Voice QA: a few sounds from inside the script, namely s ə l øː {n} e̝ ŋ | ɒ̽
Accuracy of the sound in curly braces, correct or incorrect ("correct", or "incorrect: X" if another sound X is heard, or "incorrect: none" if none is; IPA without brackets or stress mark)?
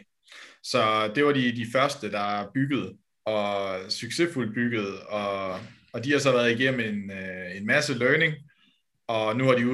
correct